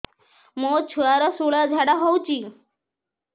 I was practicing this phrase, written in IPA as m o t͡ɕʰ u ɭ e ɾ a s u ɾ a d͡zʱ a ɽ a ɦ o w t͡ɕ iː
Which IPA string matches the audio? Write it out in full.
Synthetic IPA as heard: m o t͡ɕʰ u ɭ a ɾ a s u ɭ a d͡zʱ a ɽ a ɦ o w t͡ɕ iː